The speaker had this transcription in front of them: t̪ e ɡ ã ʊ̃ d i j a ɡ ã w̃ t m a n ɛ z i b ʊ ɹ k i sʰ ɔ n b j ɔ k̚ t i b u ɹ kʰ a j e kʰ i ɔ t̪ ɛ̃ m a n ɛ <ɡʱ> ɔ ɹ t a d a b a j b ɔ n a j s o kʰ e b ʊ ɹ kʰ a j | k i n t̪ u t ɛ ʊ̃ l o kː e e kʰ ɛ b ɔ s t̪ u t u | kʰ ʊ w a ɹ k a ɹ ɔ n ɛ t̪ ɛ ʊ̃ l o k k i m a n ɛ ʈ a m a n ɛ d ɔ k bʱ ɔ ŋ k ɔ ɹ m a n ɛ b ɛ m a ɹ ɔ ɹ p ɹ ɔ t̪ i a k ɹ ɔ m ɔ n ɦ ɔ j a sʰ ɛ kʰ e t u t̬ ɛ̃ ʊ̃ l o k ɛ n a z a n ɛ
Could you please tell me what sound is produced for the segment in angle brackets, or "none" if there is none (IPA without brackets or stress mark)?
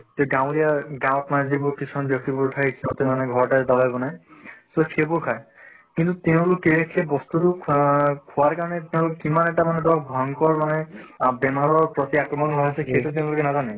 ɡʱ